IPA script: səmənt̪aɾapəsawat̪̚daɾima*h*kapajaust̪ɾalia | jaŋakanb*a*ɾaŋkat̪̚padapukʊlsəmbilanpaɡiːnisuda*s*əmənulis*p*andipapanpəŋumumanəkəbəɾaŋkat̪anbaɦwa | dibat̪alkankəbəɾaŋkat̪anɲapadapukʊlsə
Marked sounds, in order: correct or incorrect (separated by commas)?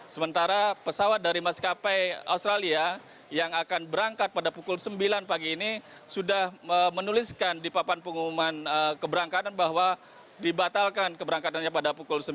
incorrect, incorrect, incorrect, incorrect